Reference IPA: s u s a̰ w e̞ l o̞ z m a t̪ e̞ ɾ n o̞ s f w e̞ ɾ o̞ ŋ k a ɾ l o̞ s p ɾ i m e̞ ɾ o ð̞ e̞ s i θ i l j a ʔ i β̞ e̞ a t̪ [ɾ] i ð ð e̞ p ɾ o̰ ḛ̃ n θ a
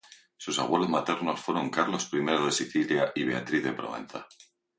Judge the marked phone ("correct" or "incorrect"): correct